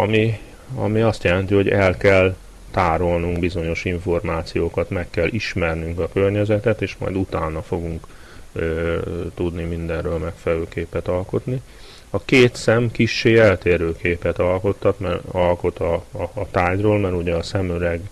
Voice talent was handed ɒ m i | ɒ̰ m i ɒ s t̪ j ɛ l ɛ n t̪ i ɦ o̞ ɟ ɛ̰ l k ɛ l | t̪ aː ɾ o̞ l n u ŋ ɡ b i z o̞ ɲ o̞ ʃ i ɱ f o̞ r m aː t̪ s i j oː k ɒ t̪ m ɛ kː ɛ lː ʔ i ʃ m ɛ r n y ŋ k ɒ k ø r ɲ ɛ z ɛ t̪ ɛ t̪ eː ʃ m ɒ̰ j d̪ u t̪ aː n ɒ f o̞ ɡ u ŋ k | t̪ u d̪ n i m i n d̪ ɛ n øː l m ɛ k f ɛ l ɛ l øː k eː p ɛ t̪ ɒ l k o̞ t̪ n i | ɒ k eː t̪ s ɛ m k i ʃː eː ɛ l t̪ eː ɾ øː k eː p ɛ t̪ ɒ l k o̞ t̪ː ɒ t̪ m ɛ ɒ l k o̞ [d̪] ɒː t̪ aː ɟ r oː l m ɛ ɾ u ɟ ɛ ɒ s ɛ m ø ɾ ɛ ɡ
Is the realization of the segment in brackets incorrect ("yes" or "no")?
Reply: yes